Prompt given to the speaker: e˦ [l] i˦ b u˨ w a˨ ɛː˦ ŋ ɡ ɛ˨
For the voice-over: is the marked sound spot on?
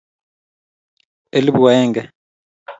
yes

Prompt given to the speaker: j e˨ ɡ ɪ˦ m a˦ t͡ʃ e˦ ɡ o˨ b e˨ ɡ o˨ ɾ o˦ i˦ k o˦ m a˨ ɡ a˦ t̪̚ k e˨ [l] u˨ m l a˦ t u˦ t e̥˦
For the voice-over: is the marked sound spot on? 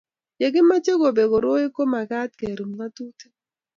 no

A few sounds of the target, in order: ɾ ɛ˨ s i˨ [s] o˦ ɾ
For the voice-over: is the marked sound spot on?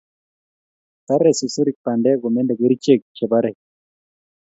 yes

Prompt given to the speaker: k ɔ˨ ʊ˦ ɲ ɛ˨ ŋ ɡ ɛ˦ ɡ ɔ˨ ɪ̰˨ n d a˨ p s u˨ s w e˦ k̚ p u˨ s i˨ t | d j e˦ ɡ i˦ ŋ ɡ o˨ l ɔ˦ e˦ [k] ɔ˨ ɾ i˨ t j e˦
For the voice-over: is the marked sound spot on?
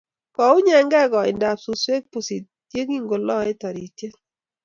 no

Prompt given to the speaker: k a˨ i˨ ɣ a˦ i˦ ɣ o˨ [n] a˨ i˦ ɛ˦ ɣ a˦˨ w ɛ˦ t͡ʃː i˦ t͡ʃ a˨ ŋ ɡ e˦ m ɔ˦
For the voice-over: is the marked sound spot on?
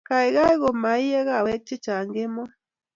no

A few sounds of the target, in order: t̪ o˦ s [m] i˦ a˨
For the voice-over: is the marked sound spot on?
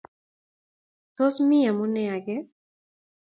yes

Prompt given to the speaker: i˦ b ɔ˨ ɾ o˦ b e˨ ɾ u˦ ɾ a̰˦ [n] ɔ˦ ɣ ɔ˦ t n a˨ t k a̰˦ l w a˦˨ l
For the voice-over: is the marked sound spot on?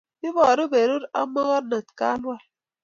no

